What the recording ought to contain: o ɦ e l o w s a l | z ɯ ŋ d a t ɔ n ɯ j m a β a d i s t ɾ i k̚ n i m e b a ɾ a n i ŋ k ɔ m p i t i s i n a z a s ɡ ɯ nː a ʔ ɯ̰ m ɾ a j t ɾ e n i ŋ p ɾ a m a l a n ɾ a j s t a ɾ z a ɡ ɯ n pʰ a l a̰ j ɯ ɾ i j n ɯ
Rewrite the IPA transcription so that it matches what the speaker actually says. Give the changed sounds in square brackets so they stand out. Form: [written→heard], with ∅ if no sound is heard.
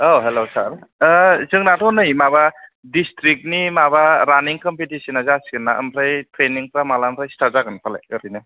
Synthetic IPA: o ɦ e l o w s a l | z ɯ ŋ [d→n] a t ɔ n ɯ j m a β a d i s t ɾ i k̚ n i m [e→a] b a ɾ a n i ŋ k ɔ m p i t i s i n a z a s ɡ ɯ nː a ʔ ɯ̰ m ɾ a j t ɾ e n i ŋ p ɾ a m a l a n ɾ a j s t a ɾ z a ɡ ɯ n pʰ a l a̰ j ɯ ɾ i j n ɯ